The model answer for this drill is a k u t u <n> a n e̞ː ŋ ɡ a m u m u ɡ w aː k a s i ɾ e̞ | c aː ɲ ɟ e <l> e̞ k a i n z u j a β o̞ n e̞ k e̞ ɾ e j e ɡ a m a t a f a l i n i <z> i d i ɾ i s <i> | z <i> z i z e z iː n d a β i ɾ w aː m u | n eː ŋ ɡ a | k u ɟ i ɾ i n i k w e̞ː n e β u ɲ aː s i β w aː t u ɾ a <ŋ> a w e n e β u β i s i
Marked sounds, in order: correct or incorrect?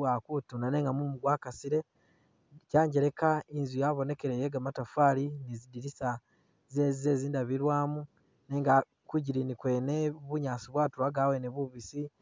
correct, incorrect, correct, incorrect, incorrect, incorrect

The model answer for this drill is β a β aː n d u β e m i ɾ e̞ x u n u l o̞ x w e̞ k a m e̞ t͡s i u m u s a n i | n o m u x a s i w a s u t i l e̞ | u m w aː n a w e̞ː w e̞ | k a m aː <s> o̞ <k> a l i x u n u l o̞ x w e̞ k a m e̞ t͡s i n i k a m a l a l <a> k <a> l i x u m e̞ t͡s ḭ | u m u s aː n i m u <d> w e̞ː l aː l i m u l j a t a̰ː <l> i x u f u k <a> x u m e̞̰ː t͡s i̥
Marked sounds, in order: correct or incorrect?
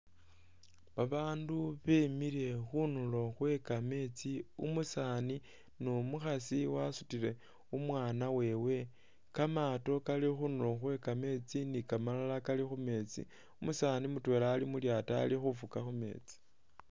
incorrect, correct, correct, correct, incorrect, correct, correct

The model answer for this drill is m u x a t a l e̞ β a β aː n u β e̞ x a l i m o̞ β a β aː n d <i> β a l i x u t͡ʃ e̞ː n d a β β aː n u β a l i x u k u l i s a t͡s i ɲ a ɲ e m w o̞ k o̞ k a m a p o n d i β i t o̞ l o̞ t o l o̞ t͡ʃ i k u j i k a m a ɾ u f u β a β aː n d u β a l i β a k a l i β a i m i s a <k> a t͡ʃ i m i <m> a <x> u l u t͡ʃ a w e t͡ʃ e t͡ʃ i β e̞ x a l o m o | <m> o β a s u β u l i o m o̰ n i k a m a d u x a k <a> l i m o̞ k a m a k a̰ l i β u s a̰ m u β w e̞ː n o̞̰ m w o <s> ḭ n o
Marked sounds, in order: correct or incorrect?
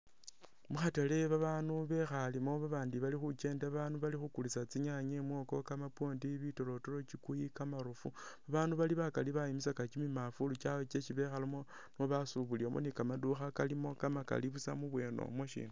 correct, correct, correct, incorrect, incorrect, correct, incorrect

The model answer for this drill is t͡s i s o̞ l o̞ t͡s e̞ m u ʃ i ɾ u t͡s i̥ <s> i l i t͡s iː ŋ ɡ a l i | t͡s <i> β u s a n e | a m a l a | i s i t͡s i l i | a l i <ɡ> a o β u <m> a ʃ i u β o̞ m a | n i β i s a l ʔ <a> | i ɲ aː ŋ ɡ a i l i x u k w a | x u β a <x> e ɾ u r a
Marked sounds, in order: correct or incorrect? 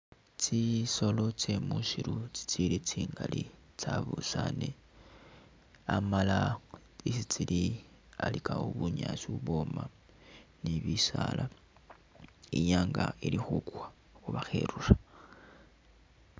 incorrect, incorrect, incorrect, incorrect, correct, correct

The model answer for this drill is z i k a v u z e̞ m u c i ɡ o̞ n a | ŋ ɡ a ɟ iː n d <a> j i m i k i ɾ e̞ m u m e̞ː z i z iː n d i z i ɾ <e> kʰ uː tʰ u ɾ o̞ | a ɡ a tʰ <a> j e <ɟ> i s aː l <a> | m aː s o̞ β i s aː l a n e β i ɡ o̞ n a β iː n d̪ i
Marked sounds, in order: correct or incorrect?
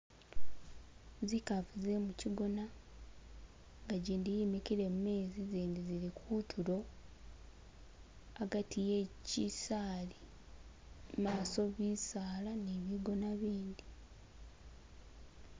incorrect, incorrect, incorrect, incorrect, incorrect

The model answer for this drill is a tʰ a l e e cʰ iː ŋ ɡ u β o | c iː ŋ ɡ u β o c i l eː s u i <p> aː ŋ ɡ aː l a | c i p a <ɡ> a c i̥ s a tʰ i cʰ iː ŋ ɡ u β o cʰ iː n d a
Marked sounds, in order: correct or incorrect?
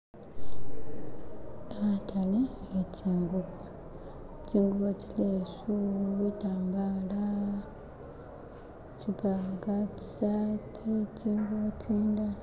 incorrect, correct

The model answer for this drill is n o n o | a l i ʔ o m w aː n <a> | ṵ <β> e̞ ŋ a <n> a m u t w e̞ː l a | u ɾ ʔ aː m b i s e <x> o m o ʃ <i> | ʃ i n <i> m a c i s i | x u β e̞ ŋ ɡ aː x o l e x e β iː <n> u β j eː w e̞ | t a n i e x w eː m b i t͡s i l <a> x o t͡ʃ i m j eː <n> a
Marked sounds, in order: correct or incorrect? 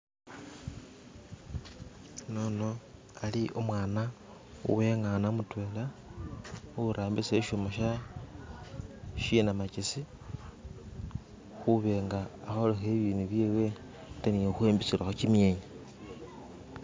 correct, incorrect, correct, incorrect, incorrect, incorrect, correct, correct, incorrect

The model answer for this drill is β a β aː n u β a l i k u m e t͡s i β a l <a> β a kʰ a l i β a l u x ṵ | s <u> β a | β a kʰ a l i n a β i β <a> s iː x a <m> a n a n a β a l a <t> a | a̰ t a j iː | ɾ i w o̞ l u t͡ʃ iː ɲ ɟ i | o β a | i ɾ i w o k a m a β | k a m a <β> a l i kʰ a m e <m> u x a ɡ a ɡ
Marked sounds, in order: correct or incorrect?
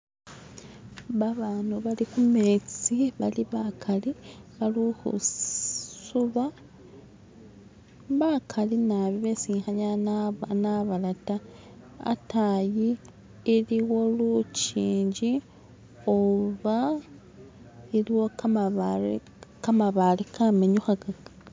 incorrect, correct, incorrect, incorrect, correct, correct, incorrect

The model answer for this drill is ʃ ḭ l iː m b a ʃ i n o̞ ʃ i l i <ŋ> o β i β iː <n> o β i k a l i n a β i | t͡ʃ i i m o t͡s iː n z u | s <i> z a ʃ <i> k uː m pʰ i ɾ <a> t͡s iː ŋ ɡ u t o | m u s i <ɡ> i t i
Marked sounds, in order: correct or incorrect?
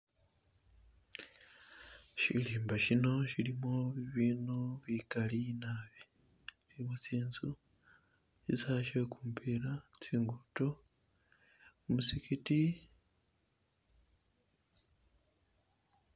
incorrect, correct, correct, incorrect, correct, incorrect

